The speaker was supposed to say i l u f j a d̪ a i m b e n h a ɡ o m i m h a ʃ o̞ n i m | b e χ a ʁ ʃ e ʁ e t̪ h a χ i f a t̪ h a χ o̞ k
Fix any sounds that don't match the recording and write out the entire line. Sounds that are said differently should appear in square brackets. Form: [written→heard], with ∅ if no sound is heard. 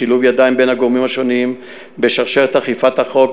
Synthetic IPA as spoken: i l u [f→v] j a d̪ a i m b e n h a ɡ o m i m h a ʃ o̞ n i m | b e [χ→ʃ] a ʁ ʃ e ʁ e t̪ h a χ i f a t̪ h a χ o̞ k